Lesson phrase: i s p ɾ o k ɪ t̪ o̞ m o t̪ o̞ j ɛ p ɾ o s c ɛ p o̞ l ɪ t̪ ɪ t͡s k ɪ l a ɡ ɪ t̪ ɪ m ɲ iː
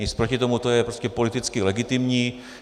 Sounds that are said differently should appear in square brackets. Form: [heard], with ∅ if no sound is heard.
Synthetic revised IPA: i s p ɾ o [c] ɪ t̪ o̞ m [u] t̪ o̞ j ɛ p ɾ o s c ɛ p o̞ l ɪ t̪ ɪ t͡s k ɪ l [ɛ] ɡ ɪ t̪ ɪ m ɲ iː